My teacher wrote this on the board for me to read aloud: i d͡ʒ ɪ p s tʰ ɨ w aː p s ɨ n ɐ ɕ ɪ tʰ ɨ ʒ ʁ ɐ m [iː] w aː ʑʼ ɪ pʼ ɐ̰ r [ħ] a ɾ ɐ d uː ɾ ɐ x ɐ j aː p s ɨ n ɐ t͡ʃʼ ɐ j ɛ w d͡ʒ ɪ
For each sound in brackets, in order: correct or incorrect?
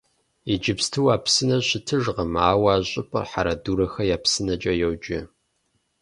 incorrect, correct

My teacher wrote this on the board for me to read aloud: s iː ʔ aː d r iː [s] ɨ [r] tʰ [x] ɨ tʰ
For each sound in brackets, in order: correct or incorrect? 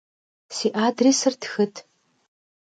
correct, correct, correct

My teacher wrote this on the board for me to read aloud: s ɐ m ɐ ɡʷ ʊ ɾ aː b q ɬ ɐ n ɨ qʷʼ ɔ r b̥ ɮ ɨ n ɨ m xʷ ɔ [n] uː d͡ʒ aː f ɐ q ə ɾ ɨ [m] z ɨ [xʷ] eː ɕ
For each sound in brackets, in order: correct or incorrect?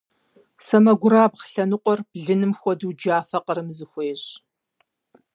incorrect, correct, correct

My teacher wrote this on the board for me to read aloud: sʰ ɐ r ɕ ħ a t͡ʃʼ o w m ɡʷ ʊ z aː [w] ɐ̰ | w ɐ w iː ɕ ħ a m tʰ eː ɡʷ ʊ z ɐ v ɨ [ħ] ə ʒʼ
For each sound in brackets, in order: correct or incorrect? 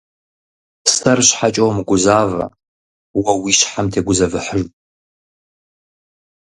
incorrect, correct

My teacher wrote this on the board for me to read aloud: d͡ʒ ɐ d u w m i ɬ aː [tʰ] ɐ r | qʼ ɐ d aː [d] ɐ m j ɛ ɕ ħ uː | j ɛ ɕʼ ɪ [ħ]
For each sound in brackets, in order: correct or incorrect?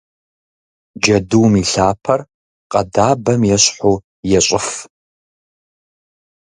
incorrect, incorrect, incorrect

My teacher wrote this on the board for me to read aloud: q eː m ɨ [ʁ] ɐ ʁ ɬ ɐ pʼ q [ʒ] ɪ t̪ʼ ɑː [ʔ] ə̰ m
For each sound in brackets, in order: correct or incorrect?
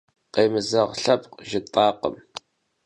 incorrect, correct, incorrect

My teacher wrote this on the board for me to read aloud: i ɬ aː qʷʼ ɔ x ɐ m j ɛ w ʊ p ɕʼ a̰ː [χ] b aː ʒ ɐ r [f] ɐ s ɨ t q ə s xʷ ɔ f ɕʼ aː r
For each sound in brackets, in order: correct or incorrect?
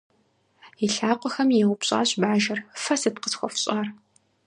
incorrect, correct

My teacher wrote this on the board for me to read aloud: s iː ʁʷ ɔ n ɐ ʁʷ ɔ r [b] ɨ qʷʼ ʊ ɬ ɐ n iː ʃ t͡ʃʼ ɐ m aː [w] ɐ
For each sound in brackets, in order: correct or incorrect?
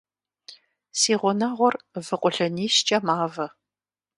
incorrect, incorrect

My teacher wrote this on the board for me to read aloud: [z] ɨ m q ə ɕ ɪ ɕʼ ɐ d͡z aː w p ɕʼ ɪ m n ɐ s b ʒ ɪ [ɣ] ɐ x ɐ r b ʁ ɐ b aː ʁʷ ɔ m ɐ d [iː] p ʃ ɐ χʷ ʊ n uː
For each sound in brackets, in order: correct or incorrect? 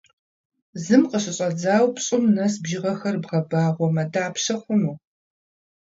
correct, incorrect, incorrect

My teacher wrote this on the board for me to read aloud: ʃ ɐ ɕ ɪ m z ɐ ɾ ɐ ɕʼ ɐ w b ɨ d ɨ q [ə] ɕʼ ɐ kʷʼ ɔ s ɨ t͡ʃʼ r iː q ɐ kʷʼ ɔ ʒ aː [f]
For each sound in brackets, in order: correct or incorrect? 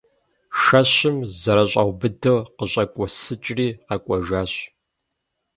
correct, incorrect

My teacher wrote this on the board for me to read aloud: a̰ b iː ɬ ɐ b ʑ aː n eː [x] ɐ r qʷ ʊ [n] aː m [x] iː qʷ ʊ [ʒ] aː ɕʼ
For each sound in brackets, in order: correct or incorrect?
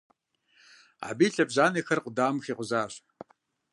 correct, incorrect, correct, incorrect

